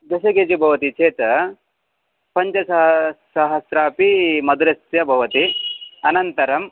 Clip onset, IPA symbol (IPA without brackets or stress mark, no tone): d̪